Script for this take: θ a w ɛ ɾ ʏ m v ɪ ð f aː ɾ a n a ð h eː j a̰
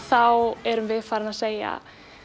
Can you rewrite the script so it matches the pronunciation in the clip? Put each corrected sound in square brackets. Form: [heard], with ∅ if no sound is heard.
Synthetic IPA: θ a w ɛ ɾ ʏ m v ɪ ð f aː ɾ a n a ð [s] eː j a̰